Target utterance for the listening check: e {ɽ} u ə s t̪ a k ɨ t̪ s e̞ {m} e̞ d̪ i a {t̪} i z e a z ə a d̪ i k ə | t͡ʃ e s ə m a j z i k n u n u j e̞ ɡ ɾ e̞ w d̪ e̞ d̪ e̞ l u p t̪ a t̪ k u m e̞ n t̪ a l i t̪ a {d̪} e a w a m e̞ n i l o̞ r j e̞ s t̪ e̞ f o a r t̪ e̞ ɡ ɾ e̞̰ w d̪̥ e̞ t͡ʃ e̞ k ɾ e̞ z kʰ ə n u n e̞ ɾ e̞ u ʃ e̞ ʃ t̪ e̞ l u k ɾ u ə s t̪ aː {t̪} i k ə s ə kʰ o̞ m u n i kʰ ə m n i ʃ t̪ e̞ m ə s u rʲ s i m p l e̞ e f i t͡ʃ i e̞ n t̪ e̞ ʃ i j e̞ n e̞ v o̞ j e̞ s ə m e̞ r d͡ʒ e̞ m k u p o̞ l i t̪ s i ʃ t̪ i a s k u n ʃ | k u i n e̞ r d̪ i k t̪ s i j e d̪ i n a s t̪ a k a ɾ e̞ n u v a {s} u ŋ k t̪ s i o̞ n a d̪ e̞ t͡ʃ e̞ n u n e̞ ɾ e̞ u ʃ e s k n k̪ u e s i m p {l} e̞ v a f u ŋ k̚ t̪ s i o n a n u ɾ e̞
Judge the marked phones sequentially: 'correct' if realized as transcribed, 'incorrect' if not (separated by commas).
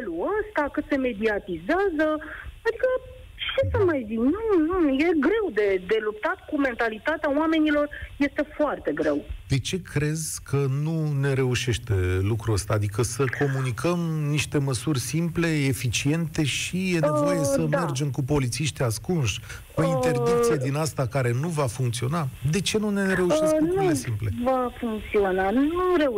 incorrect, correct, correct, incorrect, incorrect, incorrect, correct